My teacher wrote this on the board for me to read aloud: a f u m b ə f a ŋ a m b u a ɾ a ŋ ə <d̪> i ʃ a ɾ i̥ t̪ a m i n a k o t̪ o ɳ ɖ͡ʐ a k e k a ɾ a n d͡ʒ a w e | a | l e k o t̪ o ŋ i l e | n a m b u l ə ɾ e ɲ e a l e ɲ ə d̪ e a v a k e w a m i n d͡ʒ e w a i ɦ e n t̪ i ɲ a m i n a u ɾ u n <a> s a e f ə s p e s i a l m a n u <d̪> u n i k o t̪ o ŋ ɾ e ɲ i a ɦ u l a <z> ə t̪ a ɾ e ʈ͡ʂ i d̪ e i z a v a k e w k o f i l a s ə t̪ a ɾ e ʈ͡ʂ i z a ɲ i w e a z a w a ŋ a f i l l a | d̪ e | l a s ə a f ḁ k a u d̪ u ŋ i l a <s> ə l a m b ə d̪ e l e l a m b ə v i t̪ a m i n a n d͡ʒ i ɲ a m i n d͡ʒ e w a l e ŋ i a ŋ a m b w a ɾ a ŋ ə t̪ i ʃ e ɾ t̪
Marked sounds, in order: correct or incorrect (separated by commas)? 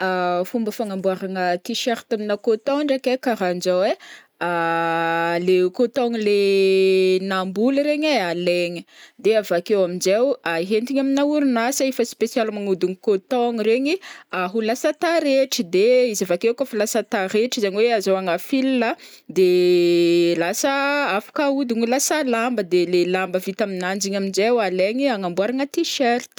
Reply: incorrect, correct, correct, incorrect, correct